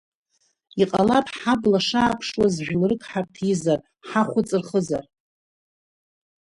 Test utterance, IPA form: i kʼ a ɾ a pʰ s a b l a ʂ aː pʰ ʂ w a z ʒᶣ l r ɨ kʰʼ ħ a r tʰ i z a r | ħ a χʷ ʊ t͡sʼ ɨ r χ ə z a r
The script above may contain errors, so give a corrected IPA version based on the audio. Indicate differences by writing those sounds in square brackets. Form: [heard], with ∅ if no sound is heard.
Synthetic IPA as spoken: i [qʼ] a [l] a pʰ [ħ] a b l a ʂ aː pʰ ʂ w a z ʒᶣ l r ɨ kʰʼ ħ a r tʰ i z a r | ħ a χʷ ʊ t͡sʼ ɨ r χ ə z a r